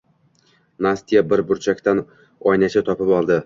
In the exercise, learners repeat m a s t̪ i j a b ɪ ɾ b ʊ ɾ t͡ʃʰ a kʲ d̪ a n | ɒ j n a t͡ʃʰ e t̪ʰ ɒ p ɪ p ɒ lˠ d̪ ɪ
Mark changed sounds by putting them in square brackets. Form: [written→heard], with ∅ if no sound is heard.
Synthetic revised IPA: [m→n] a s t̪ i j a b ɪ ɾ b ʊ ɾ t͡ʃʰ a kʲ [d̪→t̪] a n | ɒ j n a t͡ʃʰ [e→a] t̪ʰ ɒ p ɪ p ɒ lˠ d̪ ɪ